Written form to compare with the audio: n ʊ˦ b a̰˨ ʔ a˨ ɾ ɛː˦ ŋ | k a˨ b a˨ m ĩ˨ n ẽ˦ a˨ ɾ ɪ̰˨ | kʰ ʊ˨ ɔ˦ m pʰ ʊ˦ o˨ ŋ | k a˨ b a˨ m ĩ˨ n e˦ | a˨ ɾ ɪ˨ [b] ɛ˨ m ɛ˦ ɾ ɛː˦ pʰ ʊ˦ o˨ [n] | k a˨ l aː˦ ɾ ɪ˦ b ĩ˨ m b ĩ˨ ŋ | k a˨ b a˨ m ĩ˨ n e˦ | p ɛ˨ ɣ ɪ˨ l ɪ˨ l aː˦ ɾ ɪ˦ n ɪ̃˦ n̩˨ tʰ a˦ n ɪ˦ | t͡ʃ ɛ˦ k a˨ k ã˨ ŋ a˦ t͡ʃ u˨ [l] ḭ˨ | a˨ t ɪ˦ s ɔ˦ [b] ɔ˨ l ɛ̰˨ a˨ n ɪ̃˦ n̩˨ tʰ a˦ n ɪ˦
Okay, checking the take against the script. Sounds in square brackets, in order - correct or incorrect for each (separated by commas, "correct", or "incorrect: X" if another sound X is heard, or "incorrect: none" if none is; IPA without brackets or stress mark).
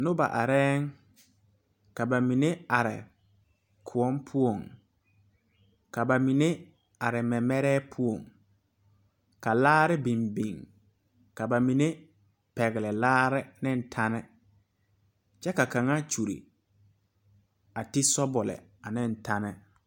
incorrect: m, incorrect: ŋ, incorrect: ɾ, correct